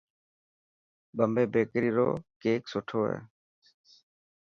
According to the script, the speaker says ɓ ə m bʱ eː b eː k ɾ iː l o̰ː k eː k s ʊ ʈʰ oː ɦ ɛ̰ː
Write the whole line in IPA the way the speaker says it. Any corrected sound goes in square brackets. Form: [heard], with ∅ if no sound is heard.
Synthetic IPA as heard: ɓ ə m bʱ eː b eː k ɾ iː [ɾ] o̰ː k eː k s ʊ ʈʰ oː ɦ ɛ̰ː